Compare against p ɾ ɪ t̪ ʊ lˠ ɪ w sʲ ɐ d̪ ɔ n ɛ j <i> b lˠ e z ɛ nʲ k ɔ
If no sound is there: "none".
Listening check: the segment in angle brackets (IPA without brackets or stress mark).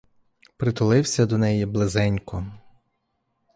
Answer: i